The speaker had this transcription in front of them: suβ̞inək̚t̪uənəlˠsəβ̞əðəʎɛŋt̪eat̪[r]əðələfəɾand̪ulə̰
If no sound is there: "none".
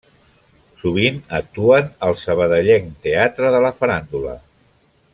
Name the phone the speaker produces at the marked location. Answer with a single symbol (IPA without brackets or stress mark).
ɾ